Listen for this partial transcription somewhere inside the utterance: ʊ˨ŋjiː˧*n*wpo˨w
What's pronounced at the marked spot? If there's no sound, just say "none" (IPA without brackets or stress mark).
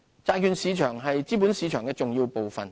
none